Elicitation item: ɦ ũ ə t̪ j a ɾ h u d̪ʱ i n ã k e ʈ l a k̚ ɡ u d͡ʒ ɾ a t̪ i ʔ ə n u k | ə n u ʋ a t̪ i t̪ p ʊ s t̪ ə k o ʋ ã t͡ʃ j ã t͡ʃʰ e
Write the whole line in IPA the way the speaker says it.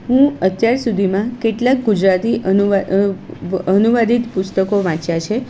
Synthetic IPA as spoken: ɦ ũ ə t̪ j a ɾ s u d̪ʱ i m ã k e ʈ l a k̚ ɡ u d͡ʒ ɾ a t̪ i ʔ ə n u | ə n u ʋ a d̪ i t̪ p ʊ s t̪ ə k o ʋ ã t͡ʃ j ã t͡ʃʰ e